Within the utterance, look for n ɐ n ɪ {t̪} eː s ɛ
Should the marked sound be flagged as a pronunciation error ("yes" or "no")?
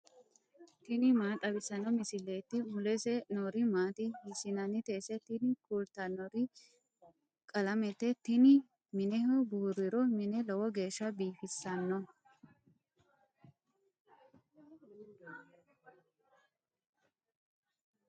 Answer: no